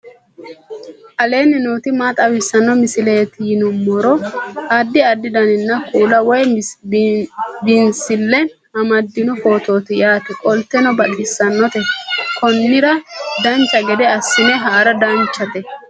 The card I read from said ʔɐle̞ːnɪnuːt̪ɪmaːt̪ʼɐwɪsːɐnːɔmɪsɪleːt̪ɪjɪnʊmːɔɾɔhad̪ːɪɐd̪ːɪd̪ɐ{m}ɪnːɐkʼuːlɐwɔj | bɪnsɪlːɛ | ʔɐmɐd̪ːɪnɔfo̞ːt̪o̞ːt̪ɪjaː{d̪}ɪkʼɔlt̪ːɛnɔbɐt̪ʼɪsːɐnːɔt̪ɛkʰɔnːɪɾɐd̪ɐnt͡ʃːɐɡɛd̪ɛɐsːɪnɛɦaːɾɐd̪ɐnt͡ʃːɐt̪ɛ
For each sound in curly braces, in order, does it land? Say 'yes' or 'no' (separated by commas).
no, no